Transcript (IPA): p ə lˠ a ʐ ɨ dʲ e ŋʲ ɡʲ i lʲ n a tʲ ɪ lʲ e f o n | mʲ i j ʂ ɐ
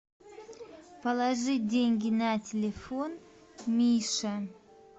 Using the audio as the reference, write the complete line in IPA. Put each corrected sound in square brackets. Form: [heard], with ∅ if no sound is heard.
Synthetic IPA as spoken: p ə lˠ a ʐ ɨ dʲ e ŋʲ ɡʲ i [∅] n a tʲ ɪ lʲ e f o n | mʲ i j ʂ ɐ